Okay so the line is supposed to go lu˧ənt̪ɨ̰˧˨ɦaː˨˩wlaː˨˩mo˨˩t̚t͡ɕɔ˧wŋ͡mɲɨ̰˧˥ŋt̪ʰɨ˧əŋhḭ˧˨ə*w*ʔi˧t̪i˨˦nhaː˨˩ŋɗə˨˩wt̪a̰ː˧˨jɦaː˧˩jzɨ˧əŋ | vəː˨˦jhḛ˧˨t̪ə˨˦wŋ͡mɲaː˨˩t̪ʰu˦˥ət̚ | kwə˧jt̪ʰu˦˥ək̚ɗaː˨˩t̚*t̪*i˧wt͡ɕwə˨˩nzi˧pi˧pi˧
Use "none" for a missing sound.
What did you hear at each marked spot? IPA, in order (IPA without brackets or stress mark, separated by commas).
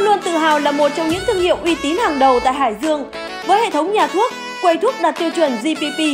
w, t̪